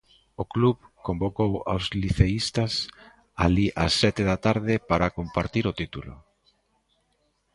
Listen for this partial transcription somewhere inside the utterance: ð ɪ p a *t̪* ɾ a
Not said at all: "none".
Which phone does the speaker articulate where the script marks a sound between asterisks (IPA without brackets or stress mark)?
none